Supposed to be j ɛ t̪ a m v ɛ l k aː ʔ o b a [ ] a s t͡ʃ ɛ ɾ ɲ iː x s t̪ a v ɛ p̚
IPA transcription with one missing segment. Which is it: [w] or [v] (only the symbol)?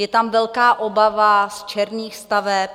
v